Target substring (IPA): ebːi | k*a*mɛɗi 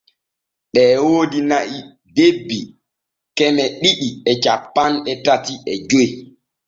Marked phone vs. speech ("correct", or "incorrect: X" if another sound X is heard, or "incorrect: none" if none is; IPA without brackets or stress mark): incorrect: ɛ